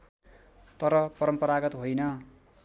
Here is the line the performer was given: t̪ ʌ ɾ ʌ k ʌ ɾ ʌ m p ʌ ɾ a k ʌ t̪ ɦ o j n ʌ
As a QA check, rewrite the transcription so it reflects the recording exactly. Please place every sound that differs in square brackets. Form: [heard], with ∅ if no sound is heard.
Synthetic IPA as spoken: t̪ ʌ ɾ ʌ [p] ʌ ɾ ʌ m p ʌ ɾ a [ɡ] ʌ t̪ ɦ o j n ʌ